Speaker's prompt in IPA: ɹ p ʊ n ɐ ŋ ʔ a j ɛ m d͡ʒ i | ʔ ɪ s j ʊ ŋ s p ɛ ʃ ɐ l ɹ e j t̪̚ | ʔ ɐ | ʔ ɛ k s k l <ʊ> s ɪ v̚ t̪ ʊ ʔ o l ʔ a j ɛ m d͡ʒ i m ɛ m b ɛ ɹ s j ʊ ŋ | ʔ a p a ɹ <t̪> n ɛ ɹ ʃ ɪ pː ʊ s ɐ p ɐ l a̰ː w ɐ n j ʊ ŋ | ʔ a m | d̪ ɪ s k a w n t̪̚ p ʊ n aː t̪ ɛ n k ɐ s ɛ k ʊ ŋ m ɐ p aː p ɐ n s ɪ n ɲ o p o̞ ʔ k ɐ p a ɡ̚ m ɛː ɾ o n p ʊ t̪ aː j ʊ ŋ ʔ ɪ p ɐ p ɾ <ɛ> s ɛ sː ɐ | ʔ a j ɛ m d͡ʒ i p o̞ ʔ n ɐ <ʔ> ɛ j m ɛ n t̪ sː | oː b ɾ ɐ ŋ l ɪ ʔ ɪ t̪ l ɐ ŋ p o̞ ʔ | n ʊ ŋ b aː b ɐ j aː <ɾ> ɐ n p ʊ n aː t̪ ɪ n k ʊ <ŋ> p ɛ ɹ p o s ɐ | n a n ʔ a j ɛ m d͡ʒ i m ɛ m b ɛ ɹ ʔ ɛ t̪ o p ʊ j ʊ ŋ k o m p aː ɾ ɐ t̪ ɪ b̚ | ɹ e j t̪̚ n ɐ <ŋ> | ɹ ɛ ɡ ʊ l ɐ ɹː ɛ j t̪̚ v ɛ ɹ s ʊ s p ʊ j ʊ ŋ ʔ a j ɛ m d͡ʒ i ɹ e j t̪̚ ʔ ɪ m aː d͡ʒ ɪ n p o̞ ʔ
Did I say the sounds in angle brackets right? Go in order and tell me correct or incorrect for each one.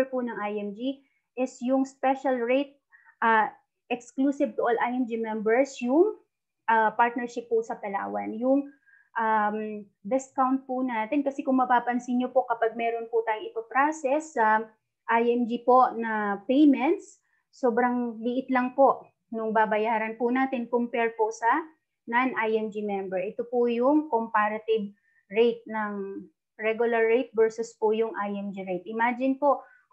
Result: incorrect, correct, incorrect, incorrect, correct, incorrect, correct

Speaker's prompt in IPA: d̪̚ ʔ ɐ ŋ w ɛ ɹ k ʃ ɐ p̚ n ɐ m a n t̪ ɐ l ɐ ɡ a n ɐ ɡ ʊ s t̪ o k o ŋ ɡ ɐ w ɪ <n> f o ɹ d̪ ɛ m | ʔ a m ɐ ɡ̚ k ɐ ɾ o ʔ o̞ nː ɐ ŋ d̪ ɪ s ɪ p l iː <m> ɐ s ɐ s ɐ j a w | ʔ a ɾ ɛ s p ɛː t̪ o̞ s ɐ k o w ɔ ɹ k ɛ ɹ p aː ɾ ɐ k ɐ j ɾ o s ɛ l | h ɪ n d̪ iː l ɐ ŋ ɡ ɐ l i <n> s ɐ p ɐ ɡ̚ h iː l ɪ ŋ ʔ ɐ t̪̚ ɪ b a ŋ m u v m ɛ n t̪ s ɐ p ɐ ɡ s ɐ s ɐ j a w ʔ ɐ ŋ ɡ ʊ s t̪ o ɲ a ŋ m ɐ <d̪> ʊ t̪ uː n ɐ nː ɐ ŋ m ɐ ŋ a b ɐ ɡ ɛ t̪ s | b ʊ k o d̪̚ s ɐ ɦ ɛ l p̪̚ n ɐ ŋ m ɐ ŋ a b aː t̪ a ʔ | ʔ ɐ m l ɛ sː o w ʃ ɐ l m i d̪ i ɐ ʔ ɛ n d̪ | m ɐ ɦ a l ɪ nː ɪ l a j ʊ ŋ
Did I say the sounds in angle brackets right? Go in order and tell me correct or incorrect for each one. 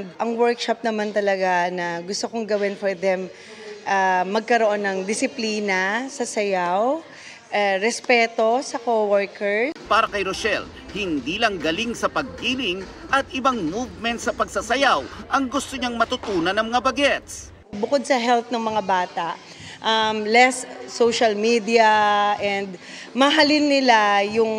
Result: correct, incorrect, incorrect, incorrect

